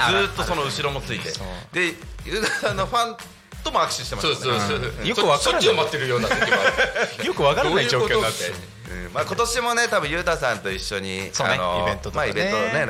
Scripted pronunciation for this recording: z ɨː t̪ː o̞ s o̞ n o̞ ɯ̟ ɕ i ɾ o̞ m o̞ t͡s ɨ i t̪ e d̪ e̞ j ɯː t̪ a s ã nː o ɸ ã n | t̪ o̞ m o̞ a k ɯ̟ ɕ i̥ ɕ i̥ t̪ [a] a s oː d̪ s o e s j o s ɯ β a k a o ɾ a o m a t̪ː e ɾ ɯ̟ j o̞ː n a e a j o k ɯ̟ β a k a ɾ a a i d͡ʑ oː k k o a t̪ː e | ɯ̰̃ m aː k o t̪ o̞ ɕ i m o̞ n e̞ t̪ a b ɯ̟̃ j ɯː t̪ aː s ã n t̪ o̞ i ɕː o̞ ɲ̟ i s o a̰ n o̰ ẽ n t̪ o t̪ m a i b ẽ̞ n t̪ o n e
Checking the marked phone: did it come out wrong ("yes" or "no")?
yes